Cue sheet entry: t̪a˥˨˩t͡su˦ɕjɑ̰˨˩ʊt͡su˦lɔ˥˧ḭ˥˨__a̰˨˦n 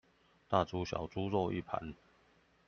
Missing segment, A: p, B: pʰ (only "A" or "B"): B